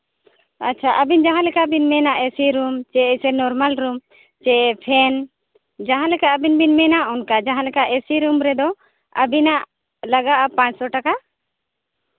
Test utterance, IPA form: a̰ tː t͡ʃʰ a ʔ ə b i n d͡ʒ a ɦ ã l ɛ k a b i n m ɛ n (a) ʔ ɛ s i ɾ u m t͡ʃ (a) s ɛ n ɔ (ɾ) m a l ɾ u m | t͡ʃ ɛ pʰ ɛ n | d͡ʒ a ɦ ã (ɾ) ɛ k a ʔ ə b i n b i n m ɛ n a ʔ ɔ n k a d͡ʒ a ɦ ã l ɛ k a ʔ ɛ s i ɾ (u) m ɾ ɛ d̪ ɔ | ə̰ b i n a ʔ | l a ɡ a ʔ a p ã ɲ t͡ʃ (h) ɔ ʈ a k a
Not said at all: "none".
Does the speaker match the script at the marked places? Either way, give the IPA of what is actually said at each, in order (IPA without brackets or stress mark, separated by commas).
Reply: a, ɛ, ɾ, l, u, s